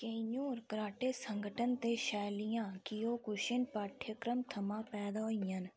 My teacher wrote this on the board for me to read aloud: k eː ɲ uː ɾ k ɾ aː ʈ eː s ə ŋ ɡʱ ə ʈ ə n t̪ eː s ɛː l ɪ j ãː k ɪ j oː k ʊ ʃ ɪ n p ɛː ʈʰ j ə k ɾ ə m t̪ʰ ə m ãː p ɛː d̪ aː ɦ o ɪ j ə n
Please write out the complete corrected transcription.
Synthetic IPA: k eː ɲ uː ɾ k ɾ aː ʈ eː s ə ŋ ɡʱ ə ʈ ə n t̪ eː ʃ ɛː l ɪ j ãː k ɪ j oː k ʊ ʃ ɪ n p aː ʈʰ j ə k ɾ ə m t̪ʰ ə m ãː p ɛː d̪ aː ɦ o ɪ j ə n